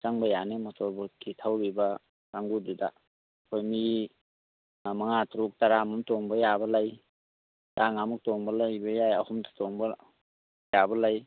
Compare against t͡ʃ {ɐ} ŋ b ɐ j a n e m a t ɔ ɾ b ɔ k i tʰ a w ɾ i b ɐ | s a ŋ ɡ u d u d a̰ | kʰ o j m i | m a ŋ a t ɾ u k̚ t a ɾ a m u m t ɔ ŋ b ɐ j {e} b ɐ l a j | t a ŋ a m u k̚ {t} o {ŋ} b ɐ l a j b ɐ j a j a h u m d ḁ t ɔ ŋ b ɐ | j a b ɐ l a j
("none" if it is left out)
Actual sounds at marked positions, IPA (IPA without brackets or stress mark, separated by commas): a, a, t, ŋ